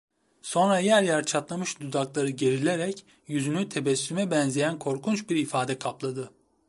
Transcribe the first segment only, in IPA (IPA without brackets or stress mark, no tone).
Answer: s